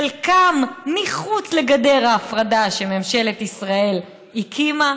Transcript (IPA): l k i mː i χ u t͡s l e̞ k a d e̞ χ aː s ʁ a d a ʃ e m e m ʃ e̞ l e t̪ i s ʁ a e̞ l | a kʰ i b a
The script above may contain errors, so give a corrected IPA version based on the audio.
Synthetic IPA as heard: l k a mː i χ u t͡s l e̞ ɡ a d e̞ ʁ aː f ʁ a d a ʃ e m e m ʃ e̞ l e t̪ i s ʁ a e̞ l | i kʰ i m a